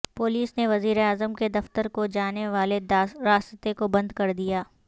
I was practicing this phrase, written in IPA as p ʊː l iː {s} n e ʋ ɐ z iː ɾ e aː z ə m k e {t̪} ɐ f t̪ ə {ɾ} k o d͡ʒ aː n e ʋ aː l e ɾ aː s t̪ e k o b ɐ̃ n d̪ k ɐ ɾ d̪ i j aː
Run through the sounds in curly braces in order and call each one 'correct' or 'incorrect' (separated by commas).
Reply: correct, incorrect, correct